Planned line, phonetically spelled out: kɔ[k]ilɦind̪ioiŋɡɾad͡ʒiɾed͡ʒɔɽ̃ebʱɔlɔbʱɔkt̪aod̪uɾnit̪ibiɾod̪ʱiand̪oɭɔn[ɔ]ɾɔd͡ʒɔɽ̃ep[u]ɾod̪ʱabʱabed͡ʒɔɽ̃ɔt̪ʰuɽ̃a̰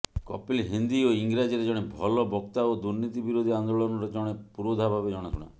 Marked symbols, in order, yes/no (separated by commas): no, yes, yes